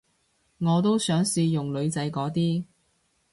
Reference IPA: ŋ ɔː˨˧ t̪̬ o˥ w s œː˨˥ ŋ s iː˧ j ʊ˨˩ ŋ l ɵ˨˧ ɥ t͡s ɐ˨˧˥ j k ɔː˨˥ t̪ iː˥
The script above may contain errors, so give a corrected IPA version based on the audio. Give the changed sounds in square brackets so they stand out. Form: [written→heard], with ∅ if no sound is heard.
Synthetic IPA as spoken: ŋ ɔː˨˧ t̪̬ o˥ w s œː˨˥ ŋ s iː˧ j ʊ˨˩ ŋ l ɵ˨˧ ɥ t͡s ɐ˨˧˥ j k ɔː˨˥ t̪ iː˥